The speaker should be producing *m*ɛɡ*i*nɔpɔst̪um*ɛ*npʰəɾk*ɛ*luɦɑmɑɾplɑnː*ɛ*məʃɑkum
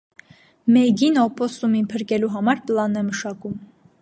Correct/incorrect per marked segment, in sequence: correct, correct, incorrect, correct, correct

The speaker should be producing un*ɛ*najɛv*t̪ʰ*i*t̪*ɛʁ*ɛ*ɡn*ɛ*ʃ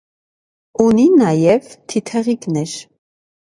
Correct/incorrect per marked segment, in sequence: incorrect, correct, incorrect, incorrect, correct

